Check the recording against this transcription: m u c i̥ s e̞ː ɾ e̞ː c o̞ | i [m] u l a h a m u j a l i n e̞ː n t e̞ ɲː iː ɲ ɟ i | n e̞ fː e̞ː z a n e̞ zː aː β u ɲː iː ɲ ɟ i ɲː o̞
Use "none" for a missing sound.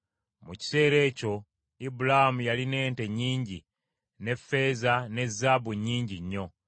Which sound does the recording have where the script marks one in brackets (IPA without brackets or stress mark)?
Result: b